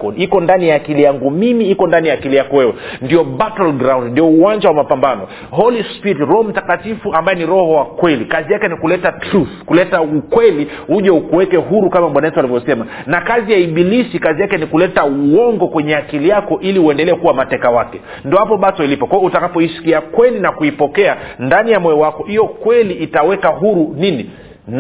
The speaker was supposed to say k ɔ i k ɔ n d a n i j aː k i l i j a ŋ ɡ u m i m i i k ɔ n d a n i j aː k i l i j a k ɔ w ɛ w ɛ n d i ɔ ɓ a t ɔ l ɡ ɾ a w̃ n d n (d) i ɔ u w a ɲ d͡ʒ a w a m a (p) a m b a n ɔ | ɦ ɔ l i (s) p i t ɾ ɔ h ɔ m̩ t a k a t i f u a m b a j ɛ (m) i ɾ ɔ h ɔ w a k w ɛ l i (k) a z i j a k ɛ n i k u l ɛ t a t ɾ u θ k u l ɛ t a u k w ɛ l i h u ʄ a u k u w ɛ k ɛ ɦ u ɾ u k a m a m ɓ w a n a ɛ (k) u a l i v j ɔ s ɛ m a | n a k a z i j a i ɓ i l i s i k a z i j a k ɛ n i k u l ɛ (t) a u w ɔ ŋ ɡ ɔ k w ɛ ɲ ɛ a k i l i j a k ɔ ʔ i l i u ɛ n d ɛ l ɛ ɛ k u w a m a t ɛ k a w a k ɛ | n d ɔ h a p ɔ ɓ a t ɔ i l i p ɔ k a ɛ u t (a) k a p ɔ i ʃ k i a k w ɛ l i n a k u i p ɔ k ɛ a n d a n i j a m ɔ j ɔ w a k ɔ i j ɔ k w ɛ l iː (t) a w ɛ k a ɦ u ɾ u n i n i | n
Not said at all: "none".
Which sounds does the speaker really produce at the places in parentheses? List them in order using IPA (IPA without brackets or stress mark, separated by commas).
d, p, s, n, k, t, t, a, t